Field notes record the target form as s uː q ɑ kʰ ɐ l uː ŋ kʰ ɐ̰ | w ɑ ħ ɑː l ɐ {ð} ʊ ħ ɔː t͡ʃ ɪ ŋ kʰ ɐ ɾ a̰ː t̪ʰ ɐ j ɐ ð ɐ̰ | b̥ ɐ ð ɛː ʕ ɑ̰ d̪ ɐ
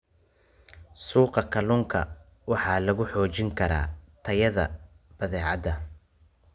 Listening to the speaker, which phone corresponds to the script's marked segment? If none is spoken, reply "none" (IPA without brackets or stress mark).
ɣ